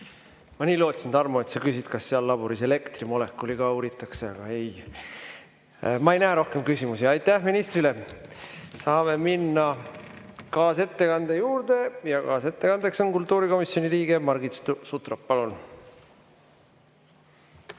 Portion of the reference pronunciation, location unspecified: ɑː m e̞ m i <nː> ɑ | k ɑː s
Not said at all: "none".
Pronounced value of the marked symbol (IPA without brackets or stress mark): nː